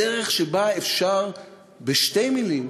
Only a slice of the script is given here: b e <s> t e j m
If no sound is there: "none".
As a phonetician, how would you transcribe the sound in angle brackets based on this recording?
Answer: ʃ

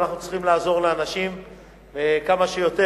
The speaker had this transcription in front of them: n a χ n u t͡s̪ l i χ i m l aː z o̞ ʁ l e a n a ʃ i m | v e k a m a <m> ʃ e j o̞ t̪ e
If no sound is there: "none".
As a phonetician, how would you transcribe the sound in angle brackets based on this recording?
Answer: none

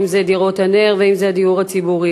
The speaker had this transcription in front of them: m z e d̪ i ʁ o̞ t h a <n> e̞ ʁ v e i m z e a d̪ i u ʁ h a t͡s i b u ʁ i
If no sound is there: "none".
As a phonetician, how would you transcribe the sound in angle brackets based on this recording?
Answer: n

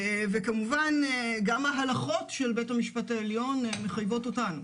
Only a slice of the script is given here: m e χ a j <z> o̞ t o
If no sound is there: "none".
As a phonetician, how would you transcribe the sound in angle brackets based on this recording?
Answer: v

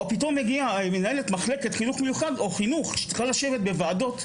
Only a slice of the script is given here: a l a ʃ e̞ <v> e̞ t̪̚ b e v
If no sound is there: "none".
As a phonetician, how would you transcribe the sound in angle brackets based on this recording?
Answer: v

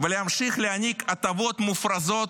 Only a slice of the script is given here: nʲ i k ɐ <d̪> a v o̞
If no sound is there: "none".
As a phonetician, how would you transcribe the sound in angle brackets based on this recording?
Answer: t̪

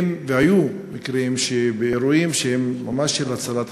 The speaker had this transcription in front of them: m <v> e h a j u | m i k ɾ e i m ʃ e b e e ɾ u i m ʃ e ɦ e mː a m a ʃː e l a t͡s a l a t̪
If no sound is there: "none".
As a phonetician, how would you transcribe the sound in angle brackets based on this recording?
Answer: v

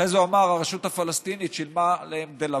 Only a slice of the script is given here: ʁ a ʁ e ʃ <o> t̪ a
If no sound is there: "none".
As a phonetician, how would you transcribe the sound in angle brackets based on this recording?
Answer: u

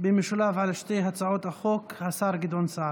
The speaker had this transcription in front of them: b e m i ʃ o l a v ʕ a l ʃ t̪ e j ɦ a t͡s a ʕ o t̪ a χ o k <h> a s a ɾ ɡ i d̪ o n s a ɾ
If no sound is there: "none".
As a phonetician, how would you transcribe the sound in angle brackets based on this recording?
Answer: h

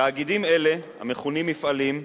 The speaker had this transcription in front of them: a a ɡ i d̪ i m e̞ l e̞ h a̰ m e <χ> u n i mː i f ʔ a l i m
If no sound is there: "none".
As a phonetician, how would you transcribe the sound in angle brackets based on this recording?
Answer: χ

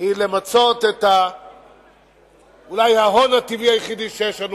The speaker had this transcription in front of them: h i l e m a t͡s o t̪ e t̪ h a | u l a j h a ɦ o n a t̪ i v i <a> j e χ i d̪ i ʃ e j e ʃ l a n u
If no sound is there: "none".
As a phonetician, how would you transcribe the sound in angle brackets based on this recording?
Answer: a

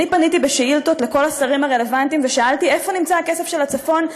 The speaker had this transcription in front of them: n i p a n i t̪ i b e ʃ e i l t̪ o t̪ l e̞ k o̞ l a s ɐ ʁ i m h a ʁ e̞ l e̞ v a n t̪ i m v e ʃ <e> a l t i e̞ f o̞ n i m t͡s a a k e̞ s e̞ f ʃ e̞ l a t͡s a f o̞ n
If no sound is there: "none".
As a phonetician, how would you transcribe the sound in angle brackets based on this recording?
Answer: a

